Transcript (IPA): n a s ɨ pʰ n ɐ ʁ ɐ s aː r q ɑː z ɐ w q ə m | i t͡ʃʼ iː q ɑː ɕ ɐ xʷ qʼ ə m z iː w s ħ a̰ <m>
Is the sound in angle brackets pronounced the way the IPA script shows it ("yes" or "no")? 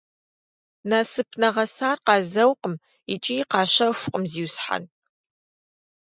no